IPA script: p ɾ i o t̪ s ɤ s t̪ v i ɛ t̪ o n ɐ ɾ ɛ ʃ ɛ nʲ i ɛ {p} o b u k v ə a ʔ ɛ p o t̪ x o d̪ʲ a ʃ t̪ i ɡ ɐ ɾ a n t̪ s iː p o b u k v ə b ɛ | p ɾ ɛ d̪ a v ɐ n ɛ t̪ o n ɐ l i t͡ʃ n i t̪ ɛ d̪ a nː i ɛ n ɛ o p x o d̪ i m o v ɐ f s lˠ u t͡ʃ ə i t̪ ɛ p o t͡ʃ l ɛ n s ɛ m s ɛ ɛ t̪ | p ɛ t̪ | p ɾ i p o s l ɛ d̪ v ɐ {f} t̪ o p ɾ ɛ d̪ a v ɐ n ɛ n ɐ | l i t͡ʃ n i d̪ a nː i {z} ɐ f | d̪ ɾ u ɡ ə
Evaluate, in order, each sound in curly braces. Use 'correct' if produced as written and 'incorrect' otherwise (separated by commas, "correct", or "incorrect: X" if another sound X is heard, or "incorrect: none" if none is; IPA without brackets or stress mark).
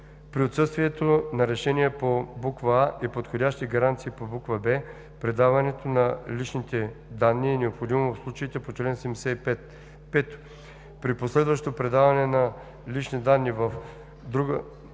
correct, incorrect: ʃ, incorrect: v